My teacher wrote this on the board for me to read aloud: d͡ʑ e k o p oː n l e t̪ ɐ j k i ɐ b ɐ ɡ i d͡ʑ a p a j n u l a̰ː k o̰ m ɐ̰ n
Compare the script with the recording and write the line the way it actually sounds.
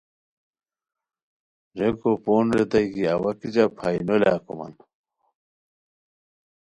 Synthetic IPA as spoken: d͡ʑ e k o p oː n ɾ e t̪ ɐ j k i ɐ w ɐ k i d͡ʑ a pʰ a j n o l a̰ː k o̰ m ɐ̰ n

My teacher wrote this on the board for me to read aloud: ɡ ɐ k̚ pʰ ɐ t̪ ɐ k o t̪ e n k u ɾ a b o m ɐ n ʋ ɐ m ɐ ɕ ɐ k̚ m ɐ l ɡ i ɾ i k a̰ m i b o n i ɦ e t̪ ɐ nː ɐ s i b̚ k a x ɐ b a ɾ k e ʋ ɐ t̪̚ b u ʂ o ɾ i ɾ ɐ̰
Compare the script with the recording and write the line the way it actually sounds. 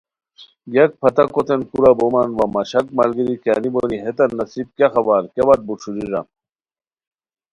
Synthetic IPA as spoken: ɡ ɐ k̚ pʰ ɐ t̪ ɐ k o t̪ e n k u ɾ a b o m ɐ n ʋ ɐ m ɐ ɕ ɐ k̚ m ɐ l ɡ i ɾ i k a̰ n i b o n i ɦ e t̪ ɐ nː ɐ s i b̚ k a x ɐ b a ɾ k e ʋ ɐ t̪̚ b u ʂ u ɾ i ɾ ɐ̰

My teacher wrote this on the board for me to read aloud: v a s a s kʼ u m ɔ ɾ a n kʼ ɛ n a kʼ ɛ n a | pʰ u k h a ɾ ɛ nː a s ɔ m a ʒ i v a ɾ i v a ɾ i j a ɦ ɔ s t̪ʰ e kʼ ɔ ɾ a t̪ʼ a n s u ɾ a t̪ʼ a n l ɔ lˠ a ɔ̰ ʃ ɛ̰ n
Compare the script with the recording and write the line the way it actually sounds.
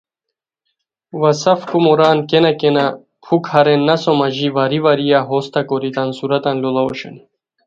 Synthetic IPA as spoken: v a s a f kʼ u m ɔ ɾ a n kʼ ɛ n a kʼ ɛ n a | pʰ u k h a ɾ ɛ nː a s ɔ m a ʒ i v a ɾ i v a ɾ i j a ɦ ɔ s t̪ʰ a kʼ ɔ ɾ i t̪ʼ a n s u ɾ a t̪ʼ a n l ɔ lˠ a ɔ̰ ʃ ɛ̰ n

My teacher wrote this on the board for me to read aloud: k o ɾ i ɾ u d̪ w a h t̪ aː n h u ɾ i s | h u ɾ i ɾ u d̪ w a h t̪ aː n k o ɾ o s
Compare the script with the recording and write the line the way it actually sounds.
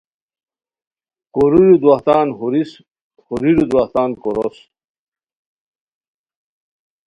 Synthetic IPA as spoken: k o ɾ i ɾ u d̪ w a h t̪ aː n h u ɾ i s | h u ɾ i ɾ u d̪ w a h t̪ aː n k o ɾ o s

